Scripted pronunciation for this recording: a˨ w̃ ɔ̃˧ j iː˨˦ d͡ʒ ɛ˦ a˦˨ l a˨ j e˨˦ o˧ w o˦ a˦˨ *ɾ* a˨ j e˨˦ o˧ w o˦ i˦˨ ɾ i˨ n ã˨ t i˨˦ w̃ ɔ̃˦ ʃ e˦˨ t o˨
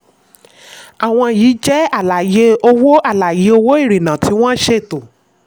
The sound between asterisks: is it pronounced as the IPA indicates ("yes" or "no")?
no